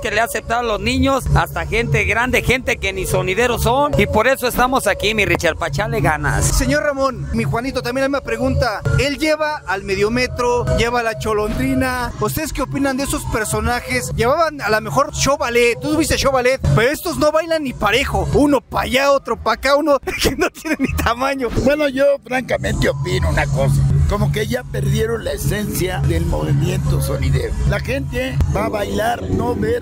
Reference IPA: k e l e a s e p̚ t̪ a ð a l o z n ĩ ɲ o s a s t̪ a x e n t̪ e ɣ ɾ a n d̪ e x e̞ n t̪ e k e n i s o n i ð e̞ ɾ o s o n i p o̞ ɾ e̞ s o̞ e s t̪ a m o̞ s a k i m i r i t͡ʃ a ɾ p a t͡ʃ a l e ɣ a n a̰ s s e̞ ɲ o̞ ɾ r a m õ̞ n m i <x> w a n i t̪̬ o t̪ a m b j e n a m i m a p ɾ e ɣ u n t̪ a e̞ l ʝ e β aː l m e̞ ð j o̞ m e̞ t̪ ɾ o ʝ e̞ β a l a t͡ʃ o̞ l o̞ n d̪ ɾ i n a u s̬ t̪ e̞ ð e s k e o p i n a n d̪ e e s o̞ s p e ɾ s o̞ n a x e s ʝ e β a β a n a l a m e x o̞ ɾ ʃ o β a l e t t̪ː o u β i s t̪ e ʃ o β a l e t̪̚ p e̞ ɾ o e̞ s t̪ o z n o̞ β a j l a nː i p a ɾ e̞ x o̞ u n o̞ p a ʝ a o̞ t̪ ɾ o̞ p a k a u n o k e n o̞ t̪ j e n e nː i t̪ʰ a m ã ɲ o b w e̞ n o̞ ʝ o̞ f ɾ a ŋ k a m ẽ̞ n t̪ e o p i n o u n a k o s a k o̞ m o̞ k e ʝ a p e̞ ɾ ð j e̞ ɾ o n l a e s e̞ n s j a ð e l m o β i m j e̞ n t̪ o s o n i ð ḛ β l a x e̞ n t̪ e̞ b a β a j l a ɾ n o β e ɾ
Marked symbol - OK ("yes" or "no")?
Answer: yes